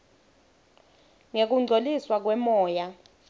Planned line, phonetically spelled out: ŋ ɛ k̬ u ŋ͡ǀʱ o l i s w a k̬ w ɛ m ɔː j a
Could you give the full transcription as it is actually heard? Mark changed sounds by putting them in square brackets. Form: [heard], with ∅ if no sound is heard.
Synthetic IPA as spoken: ŋ [e] k̬ u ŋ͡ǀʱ o l i s w a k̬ w ɛ m ɔː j a